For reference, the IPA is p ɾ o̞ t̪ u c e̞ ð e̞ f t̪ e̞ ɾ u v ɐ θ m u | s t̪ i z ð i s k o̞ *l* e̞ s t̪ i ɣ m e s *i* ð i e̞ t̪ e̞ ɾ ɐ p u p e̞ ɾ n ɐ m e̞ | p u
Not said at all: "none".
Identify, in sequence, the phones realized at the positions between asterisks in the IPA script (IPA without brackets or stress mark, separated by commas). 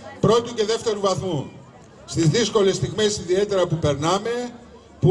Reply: l, i